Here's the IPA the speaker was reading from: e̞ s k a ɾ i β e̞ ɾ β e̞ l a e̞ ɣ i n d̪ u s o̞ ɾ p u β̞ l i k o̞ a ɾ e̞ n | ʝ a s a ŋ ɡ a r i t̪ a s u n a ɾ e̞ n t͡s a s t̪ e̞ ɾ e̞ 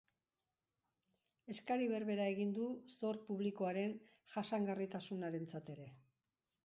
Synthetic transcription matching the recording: e̞ s k a ɾ i β e̞ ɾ β e̞ ɾ a e̞ ɣ i n d̪ u s o̞ ɾ p u β̞ l i k o̞ a ɾ e̞ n | ʝ a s a ŋ ɡ a r i t̪ a s u n a ɾ e̞ n t͡s a t̪ e̞ ɾ e̞